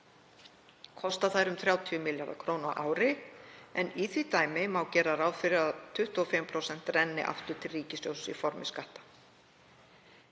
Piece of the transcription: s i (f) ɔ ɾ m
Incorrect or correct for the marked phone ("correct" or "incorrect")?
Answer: correct